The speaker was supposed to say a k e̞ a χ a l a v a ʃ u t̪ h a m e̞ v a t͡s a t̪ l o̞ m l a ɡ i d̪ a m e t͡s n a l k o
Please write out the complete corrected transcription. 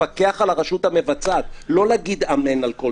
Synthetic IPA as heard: a k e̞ a χ a l a ʁ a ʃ u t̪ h a m e̞ v a t͡s a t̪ l o̞ l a ɡ i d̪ a m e n a l k o